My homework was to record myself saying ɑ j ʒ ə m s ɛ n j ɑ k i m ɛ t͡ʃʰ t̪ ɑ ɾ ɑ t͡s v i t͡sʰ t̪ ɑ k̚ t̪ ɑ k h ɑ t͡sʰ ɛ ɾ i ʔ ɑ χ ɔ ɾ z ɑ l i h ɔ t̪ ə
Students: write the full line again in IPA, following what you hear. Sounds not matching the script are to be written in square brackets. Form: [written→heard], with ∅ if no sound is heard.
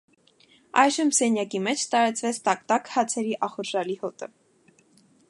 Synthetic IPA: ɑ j ʒ ə m s ɛ n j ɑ k i m ɛ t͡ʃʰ t̪ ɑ ɾ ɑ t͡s v [i→ɛ] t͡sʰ t̪ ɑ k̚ t̪ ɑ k h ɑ t͡sʰ ɛ ɾ i ʔ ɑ χ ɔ ɾ [z→ʒ] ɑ l i h ɔ t̪ ə